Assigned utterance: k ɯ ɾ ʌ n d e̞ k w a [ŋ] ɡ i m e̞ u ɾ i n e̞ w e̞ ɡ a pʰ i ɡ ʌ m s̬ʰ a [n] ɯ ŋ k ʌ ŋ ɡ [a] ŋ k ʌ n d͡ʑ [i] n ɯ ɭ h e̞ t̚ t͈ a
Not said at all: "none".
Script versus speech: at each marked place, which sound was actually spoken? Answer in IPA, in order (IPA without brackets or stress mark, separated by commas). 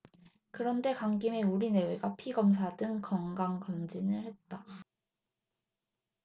ŋ, d, a, i